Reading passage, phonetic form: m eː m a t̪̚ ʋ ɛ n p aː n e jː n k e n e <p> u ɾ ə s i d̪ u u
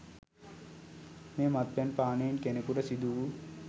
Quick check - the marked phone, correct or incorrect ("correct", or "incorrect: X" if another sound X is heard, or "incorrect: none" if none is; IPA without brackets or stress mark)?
incorrect: k